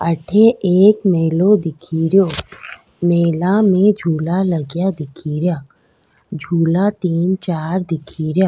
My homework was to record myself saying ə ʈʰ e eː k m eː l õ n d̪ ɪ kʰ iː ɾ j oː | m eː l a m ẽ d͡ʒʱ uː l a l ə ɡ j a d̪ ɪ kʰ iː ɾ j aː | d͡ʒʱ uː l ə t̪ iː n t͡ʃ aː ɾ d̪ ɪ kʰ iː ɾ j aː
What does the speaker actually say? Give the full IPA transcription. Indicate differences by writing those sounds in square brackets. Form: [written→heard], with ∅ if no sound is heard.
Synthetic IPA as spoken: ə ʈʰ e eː k m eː l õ [n→∅] d̪ ɪ kʰ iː ɾ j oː | m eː l a m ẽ d͡ʒʱ uː l a l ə ɡ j a d̪ ɪ kʰ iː ɾ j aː | d͡ʒʱ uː l [ə→a] t̪ iː n t͡ʃ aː ɾ d̪ ɪ kʰ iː ɾ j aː